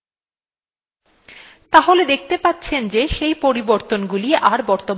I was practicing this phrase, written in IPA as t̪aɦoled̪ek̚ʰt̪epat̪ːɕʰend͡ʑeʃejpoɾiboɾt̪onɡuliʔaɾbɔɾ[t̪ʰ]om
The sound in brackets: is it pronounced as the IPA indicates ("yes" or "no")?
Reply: no